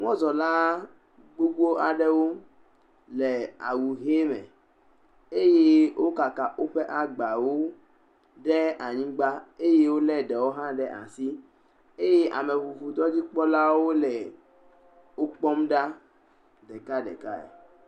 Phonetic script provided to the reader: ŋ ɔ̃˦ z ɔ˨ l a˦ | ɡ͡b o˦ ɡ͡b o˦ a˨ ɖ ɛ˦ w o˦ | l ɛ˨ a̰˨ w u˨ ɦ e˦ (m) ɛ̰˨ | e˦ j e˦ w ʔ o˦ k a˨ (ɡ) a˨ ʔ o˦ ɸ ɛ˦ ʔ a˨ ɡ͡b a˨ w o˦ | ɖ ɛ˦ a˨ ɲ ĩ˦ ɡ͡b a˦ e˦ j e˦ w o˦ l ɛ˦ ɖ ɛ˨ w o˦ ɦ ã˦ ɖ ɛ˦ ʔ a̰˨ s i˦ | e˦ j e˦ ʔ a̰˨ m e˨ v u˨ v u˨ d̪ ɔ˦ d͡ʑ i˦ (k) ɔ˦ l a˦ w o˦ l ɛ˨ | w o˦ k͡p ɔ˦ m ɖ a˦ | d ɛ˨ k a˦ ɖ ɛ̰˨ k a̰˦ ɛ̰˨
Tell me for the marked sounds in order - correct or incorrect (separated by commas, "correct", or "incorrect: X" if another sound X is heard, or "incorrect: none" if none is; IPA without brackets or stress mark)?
correct, incorrect: k, incorrect: k͡p